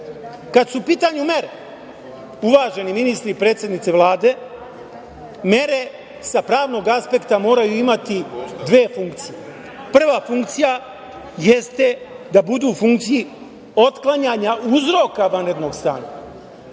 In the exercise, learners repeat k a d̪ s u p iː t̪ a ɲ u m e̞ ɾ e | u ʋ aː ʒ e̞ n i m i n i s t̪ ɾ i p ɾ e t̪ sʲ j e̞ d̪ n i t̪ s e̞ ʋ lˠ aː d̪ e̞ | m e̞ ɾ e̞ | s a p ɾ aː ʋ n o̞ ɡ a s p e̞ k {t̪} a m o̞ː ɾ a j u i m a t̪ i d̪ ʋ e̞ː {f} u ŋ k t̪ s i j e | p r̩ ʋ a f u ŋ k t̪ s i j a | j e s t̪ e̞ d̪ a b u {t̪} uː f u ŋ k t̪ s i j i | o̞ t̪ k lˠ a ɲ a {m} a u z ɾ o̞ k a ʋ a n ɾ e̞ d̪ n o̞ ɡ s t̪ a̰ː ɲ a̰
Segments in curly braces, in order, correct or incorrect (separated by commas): correct, correct, incorrect, incorrect